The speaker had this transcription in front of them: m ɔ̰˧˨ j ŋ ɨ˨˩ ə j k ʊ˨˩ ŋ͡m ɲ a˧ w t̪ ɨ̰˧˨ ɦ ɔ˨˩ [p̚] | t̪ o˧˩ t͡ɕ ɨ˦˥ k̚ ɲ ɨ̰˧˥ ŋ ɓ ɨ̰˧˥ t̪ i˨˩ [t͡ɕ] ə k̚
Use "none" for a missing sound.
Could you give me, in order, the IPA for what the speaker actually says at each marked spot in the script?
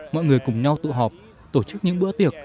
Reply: p̚, none

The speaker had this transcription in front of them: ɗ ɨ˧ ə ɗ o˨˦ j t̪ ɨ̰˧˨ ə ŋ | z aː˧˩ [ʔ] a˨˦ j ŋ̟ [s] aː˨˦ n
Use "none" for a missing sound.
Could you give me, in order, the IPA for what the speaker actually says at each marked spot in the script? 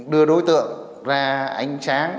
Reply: ʔ, s

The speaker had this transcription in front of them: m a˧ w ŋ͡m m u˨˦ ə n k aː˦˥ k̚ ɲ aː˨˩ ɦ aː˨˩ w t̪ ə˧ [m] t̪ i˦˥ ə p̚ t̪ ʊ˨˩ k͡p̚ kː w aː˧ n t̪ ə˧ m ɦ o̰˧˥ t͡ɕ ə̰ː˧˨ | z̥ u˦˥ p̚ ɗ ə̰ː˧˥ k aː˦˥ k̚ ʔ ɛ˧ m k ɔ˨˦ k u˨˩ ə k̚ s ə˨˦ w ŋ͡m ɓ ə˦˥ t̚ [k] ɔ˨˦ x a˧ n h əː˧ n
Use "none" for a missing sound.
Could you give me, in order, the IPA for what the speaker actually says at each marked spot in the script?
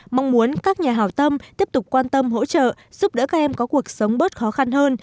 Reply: m, x

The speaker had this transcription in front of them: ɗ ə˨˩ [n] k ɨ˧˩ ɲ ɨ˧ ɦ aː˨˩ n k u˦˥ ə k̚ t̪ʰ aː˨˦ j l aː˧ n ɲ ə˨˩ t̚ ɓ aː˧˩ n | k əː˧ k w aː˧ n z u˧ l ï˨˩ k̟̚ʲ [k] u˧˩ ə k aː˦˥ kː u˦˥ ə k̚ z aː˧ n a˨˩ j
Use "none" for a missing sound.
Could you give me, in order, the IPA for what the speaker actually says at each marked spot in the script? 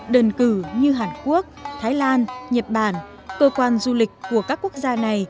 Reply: n, k

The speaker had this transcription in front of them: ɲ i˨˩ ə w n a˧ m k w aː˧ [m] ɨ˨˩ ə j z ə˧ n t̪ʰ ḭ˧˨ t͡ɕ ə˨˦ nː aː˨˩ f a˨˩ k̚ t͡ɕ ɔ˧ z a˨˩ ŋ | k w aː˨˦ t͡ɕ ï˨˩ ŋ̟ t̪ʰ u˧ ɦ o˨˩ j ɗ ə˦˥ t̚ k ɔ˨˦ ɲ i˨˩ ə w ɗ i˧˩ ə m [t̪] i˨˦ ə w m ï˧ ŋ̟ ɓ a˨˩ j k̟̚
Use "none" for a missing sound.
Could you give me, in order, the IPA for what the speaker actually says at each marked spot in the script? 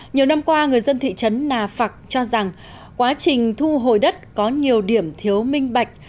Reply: ŋ, t̪ʰ

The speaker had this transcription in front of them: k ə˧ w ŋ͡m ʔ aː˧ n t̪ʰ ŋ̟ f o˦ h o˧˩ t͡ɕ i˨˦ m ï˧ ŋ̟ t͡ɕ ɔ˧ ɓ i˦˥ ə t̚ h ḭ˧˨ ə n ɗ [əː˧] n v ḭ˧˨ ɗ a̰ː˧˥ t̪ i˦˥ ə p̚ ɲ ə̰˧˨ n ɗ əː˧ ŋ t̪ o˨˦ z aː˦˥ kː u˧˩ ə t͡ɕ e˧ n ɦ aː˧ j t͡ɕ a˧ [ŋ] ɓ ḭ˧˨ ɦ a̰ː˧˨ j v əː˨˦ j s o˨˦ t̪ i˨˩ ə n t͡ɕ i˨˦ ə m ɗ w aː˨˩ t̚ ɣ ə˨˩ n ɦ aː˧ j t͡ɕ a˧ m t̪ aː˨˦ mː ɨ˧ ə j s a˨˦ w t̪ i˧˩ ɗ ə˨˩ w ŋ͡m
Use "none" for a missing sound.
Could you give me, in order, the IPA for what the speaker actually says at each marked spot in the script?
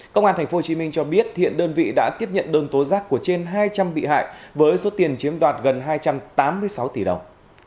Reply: əː˧, m

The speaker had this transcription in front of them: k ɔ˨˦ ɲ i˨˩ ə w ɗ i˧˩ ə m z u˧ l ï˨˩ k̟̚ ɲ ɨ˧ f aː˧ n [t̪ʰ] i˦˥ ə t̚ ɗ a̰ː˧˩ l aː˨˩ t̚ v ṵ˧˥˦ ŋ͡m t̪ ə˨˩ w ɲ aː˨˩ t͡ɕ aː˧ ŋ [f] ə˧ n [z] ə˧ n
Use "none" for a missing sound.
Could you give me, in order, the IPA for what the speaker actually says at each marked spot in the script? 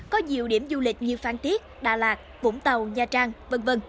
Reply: t̪, v, v

